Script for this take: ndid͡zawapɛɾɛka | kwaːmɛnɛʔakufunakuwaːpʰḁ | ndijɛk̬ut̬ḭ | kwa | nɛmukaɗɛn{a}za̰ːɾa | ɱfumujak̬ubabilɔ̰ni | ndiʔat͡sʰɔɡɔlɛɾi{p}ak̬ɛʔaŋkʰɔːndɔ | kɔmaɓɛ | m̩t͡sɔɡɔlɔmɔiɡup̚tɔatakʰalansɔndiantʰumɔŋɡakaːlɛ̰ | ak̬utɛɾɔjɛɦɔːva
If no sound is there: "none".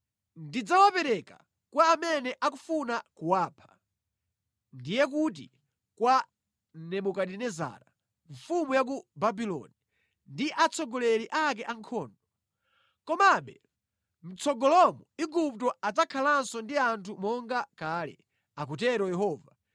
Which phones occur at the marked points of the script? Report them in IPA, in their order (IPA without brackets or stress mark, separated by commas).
ɛ, ʔ